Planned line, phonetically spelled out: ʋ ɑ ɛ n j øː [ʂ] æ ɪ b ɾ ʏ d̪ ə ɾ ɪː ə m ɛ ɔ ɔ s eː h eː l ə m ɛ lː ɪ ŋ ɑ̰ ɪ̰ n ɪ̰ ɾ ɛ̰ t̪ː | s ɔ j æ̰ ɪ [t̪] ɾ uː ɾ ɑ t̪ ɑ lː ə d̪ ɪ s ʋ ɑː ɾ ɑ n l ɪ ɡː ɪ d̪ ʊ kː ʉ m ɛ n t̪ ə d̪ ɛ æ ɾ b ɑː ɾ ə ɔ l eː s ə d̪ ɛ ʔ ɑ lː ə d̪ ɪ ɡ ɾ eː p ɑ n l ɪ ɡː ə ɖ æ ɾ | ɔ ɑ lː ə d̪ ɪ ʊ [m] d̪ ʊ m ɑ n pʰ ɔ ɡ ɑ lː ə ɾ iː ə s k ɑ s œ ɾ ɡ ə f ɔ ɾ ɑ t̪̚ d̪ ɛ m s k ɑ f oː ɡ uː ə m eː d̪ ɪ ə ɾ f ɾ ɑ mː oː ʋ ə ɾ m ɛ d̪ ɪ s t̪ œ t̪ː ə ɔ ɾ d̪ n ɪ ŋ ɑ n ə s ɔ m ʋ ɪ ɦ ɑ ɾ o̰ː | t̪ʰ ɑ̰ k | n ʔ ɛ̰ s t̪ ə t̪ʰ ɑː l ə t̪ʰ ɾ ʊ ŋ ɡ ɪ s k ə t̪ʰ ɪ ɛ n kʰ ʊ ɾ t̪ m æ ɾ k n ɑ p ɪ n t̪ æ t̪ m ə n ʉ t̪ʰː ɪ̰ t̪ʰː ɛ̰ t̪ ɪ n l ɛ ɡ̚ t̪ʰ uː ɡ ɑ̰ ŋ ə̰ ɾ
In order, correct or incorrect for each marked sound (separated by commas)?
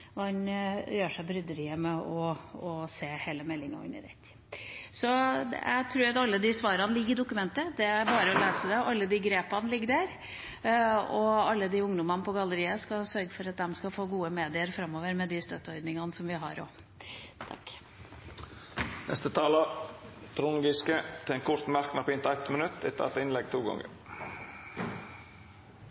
correct, incorrect, incorrect